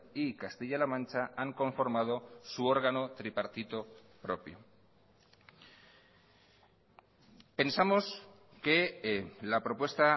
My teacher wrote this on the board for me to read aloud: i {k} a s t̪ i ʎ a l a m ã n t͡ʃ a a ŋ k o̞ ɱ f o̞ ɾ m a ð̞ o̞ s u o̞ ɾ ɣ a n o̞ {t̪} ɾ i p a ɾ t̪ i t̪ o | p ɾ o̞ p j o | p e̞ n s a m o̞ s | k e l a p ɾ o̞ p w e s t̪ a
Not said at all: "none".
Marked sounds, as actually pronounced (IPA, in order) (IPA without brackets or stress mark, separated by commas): k, t̪